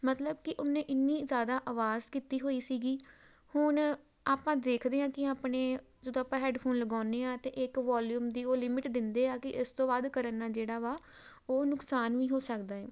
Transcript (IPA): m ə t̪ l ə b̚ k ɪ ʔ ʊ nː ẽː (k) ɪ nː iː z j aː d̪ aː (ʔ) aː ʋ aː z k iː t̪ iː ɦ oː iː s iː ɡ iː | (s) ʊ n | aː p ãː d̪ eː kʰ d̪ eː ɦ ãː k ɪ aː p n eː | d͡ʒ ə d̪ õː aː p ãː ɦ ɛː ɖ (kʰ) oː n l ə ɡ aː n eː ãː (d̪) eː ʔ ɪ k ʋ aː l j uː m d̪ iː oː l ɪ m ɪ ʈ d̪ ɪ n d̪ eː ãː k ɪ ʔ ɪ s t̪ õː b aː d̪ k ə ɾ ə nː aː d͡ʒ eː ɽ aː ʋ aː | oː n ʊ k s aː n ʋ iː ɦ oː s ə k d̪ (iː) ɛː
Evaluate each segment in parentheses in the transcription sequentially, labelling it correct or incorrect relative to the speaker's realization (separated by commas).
incorrect, correct, incorrect, incorrect, incorrect, incorrect